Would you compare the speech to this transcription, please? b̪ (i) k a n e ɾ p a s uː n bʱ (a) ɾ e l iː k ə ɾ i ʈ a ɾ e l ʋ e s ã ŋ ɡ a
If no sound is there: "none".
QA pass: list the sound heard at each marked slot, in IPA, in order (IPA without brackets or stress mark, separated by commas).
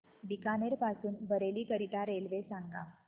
i, ə